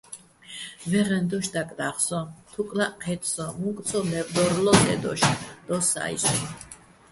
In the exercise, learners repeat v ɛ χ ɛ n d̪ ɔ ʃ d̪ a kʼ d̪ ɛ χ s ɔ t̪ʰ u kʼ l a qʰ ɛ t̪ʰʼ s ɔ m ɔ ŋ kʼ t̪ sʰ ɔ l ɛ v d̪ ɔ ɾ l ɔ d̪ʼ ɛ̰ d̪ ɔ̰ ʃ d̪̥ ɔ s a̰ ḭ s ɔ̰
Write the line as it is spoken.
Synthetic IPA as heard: v ɛ ʁ ɛ n d̪ ɔ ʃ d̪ a kʼ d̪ a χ s ɔ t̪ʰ u kʼ l a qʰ ɛ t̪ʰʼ s ɔ m u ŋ kʼ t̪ sʰ ɔ l ɛ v d̪ ɔ ɾ l ɔ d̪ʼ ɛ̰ d̪ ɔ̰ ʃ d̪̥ ɔ s a̰ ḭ s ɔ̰